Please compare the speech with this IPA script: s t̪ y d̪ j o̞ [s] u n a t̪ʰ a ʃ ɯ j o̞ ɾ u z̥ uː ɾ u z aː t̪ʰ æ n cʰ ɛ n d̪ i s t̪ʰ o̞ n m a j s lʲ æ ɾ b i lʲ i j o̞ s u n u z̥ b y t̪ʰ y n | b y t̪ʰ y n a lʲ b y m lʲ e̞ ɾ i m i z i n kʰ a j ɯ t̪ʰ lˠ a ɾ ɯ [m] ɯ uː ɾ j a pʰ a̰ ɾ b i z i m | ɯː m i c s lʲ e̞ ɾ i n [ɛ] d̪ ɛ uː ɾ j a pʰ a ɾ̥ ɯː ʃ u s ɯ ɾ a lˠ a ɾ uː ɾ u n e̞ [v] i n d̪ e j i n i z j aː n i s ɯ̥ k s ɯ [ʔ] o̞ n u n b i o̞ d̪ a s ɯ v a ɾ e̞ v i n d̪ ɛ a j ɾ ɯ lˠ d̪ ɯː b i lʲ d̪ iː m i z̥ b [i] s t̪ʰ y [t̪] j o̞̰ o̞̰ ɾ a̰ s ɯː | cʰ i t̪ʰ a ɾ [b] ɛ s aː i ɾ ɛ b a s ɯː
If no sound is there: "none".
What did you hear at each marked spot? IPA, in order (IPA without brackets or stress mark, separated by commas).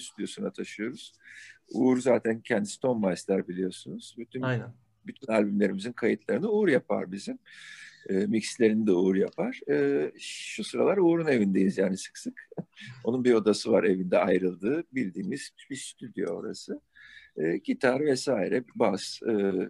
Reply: s, n, i, v, k, i, d̪, v